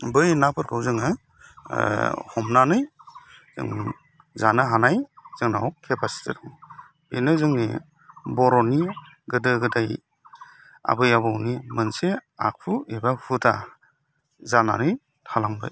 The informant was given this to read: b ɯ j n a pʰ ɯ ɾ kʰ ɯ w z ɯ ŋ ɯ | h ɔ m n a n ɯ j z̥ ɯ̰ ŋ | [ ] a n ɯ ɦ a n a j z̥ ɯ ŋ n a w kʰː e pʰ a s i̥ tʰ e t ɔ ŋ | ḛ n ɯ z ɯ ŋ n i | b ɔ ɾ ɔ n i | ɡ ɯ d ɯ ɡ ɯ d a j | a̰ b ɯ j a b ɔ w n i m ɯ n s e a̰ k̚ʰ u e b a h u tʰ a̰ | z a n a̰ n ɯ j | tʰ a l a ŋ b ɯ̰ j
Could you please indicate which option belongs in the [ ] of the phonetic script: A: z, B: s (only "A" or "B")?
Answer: A